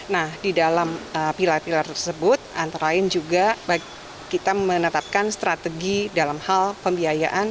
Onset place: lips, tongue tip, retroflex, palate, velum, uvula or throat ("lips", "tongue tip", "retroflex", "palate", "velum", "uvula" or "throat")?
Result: tongue tip